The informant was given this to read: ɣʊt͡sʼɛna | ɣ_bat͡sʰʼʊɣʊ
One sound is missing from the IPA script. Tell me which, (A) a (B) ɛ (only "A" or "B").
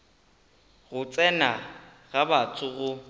A